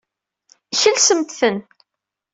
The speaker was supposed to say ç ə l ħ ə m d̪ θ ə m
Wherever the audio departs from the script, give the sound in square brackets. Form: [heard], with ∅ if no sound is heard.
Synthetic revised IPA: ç ə l [s] ə m [t̪] θ ə [n]